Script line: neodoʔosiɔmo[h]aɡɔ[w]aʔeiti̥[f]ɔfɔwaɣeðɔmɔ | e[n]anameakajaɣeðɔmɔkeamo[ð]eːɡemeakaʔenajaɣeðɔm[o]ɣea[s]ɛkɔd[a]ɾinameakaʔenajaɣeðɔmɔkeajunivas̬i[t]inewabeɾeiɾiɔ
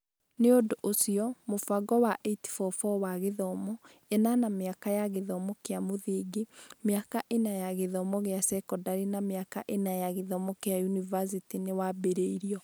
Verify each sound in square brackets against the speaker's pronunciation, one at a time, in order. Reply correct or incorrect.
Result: incorrect, correct, correct, correct, correct, incorrect, correct, correct, correct

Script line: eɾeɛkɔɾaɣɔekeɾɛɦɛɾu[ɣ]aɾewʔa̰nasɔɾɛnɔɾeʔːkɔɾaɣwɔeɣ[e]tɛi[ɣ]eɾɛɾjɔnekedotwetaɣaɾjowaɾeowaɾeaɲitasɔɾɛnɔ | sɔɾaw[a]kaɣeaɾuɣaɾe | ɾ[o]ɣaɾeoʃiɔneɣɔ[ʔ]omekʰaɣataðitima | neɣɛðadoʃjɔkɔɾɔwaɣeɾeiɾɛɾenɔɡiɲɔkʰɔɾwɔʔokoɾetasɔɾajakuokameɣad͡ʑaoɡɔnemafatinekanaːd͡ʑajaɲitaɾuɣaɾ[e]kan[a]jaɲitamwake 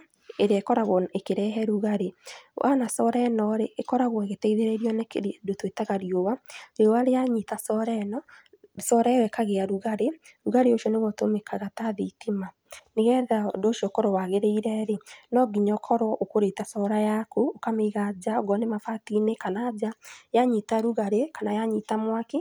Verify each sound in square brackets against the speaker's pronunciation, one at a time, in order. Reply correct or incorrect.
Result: correct, correct, incorrect, incorrect, incorrect, incorrect, correct, correct

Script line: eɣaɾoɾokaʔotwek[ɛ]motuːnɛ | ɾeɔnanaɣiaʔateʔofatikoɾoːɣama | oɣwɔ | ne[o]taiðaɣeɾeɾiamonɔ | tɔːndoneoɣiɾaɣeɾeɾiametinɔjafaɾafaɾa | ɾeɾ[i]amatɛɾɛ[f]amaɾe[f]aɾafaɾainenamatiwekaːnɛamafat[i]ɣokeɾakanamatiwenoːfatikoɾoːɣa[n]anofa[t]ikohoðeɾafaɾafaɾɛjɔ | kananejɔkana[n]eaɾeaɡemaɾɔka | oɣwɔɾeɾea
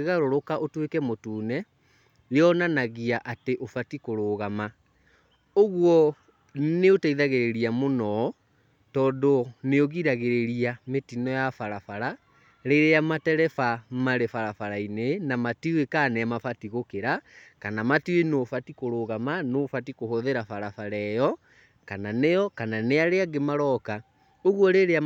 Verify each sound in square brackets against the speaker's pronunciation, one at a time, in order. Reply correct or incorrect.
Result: correct, correct, incorrect, correct, correct, correct, incorrect, correct, correct

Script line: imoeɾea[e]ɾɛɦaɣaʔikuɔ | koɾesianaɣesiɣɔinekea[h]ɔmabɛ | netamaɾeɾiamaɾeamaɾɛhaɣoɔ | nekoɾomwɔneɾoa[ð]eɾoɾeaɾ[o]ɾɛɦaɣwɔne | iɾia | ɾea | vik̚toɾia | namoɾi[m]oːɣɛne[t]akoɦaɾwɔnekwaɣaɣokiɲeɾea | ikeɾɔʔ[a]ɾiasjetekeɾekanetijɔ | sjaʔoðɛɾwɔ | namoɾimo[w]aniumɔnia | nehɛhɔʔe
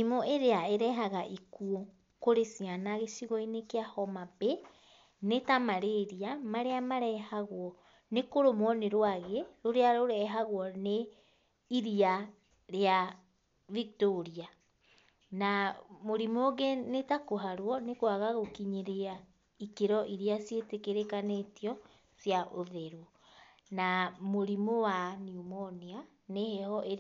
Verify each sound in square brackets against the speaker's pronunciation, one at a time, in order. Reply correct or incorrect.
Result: correct, correct, incorrect, correct, correct, correct, incorrect, correct

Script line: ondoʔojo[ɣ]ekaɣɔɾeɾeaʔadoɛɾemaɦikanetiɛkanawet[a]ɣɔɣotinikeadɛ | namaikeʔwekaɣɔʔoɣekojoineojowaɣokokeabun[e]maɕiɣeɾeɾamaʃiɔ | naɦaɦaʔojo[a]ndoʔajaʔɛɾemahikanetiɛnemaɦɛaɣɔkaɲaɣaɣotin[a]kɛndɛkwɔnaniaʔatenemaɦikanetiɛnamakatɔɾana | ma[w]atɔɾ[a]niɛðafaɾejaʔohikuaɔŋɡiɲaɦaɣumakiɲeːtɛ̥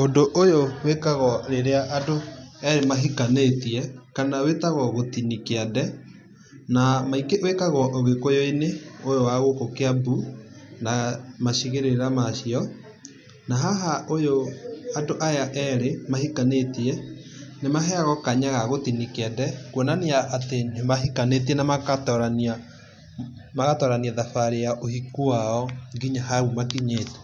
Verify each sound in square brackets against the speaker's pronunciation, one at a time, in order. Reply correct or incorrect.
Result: incorrect, correct, incorrect, correct, incorrect, incorrect, correct

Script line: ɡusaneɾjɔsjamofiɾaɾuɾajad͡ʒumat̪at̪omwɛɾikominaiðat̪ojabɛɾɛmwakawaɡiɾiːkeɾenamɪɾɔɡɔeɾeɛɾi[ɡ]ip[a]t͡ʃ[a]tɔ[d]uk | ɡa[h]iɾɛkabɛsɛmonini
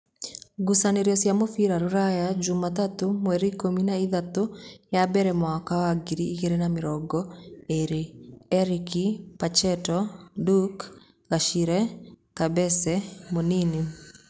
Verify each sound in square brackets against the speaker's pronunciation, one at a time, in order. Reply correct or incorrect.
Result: incorrect, correct, incorrect, correct, incorrect

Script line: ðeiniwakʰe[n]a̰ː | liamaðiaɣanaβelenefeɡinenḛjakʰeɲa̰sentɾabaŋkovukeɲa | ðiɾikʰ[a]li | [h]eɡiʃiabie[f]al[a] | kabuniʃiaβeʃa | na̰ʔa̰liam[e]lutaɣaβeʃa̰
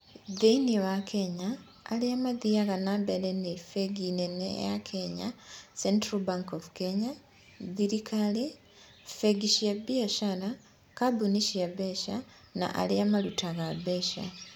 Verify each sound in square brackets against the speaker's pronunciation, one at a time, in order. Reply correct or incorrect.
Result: incorrect, correct, incorrect, incorrect, correct, incorrect

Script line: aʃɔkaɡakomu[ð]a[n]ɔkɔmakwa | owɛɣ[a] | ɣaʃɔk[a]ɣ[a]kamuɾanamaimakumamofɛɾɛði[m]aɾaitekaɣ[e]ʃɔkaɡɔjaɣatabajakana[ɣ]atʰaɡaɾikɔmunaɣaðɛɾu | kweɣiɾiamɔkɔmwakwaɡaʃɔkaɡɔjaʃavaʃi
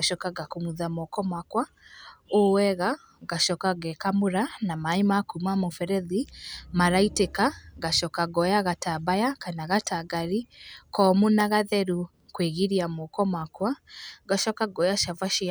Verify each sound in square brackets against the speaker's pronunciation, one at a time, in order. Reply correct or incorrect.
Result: correct, incorrect, correct, correct, incorrect, correct, incorrect, correct

